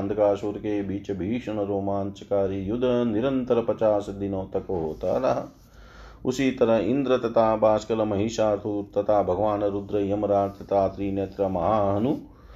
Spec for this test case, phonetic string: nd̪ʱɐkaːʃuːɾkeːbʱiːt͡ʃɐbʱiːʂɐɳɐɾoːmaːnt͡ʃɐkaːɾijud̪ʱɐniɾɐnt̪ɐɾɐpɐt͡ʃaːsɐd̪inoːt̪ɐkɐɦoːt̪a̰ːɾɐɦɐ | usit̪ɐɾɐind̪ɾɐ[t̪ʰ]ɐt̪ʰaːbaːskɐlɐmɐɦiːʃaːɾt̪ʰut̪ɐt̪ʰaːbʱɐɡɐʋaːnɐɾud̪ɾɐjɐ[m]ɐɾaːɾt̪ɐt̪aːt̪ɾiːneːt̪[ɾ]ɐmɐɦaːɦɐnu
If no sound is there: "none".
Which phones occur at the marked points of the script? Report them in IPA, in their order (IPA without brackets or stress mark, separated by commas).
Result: t̪, m, ɾ